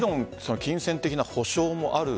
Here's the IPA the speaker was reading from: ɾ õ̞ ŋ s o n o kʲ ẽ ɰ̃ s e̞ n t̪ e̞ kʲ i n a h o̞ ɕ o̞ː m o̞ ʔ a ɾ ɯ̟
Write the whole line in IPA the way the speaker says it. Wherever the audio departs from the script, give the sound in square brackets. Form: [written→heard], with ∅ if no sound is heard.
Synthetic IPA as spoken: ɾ õ̞ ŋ s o n o kʲ [ẽ→ĩ] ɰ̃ s [e̞→ẽ̞] n t̪ e̞ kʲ i n a h o̞ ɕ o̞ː m o̞ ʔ a ɾ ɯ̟